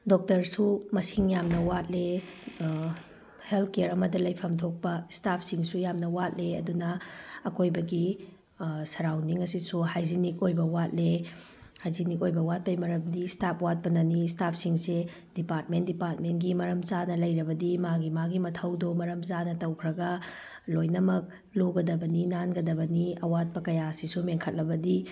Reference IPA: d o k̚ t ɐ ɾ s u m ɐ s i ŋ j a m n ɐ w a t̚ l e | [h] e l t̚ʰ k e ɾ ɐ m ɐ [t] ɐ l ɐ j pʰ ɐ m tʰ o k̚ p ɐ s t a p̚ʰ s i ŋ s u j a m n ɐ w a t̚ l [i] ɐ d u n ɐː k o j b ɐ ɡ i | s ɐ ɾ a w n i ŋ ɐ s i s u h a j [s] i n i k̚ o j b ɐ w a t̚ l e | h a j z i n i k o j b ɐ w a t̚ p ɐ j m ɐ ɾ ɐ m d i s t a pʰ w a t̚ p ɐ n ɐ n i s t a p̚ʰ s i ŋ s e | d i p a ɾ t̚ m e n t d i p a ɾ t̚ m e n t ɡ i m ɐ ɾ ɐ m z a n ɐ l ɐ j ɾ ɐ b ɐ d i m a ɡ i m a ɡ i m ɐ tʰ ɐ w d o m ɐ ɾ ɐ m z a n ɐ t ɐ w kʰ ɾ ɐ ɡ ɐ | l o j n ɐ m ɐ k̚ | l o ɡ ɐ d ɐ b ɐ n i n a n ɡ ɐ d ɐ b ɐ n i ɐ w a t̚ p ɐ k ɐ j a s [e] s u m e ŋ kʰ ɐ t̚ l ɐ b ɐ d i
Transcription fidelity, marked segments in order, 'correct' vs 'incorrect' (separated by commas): correct, incorrect, incorrect, incorrect, incorrect